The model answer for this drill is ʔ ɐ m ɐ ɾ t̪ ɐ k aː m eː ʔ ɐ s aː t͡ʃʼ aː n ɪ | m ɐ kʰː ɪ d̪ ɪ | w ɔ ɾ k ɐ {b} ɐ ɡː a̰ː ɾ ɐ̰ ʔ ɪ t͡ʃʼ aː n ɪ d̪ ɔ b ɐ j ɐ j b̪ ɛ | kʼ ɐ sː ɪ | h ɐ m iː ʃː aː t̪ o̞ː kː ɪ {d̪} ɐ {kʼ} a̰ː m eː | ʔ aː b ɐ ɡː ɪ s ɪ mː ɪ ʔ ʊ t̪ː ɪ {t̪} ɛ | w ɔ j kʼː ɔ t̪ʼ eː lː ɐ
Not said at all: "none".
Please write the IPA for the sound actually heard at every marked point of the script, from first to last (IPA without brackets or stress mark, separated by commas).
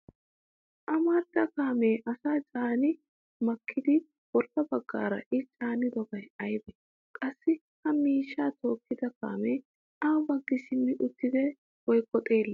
b, d̪, k, d̪